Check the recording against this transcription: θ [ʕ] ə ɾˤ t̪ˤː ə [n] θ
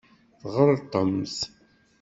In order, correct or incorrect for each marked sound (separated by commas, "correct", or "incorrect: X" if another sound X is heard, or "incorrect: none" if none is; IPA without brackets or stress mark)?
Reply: incorrect: ʁ, incorrect: m